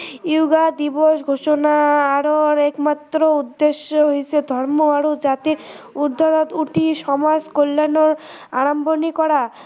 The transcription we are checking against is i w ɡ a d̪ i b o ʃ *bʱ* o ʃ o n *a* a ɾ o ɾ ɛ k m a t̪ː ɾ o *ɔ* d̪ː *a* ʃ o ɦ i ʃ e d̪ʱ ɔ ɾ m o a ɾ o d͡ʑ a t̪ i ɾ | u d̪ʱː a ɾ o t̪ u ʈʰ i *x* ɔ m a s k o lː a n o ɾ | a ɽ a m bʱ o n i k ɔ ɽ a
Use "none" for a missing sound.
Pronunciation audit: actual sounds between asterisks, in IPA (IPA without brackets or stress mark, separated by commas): ɡʱ, a, u, e, ʃ